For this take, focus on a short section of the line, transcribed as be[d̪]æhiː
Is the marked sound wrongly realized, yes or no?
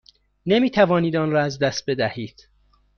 no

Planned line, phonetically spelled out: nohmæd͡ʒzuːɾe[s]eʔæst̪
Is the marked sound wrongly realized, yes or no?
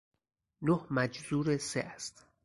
no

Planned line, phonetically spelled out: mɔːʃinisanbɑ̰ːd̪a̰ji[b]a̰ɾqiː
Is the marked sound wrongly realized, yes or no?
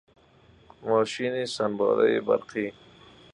no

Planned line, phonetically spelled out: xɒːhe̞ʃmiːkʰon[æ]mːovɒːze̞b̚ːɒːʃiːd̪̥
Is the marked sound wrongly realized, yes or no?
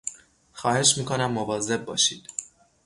no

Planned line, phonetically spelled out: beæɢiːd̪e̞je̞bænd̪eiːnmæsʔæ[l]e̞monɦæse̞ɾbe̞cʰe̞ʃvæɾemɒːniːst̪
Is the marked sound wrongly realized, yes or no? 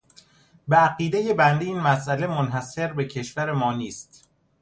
no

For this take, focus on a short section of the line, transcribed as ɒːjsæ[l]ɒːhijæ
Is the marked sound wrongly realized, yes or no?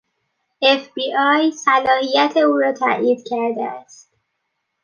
no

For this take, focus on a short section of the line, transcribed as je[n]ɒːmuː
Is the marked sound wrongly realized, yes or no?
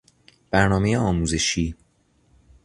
yes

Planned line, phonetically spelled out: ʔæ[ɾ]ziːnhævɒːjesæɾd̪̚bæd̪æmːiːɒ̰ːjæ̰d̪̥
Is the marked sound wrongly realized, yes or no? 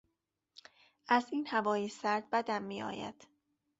yes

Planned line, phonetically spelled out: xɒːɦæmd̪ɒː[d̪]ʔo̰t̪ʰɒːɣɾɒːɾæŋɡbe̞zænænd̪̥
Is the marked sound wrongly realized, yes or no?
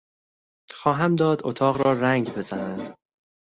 no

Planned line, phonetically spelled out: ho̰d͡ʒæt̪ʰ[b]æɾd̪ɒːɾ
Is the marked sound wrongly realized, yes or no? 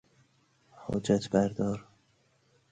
no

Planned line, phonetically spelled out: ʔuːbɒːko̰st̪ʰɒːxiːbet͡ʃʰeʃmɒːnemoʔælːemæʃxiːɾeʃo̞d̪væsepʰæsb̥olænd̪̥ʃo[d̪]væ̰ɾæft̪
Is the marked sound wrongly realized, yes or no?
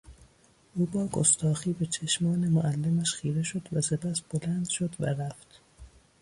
no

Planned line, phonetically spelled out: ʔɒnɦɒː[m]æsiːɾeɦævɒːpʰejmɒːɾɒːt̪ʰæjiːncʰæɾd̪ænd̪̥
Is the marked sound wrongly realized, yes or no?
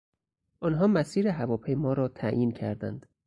no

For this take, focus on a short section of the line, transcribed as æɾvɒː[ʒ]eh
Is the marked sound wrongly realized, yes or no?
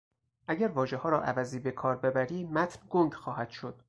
no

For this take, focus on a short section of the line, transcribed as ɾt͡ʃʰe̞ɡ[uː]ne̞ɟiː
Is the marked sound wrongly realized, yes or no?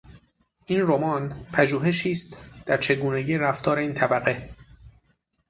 no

